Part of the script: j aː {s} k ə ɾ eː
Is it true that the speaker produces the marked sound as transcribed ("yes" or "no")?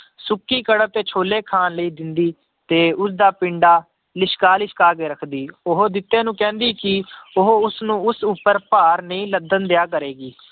no